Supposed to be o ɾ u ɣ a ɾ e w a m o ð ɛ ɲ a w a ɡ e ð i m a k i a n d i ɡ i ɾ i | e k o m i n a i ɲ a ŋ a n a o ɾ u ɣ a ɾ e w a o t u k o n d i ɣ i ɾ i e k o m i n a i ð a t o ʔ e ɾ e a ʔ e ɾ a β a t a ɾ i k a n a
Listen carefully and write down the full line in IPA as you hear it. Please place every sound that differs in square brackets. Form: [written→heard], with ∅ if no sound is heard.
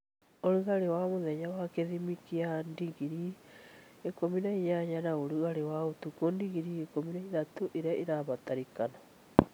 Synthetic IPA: o ɾ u ɣ a ɾ e w a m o ð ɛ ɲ a w a [ɡ→k] e ð i m [a→i] k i a n d i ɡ i ɾ i | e k o m i n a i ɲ a [ŋ→ɲ] a n a o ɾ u ɣ a ɾ e w a o t u k o n d i ɣ i ɾ i e k o m i n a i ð a t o ʔ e ɾ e a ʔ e ɾ a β a t a ɾ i k a n a